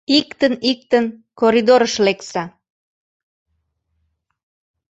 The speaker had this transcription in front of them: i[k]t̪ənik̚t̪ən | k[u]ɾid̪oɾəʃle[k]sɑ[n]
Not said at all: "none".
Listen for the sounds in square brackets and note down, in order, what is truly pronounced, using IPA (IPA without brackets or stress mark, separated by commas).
k, o, k, none